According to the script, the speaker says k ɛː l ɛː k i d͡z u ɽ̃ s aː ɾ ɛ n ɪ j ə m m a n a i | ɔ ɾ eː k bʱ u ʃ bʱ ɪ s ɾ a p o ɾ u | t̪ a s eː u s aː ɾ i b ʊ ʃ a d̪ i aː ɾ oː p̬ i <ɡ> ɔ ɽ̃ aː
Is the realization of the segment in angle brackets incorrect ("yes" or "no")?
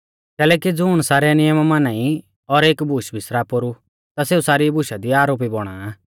yes